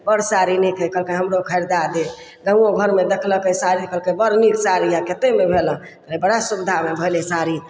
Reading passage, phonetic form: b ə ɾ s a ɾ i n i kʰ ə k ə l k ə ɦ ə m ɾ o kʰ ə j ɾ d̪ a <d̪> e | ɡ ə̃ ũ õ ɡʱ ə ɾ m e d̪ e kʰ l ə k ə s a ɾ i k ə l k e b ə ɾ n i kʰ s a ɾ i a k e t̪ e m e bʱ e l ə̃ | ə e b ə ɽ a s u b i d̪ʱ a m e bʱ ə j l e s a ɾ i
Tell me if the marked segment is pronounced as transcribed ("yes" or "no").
yes